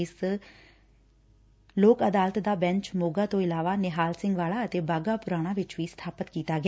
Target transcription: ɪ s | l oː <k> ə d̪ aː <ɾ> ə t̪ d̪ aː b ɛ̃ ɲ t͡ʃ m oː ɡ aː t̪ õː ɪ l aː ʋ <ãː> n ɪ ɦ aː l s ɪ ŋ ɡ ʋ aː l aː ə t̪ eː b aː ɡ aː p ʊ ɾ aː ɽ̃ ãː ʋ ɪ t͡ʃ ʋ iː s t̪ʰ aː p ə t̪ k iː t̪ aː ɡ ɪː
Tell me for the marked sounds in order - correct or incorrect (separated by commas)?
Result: correct, incorrect, incorrect